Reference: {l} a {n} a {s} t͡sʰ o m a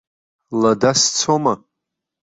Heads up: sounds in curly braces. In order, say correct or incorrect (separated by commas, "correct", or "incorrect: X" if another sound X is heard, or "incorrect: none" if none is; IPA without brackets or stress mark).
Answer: correct, incorrect: d, correct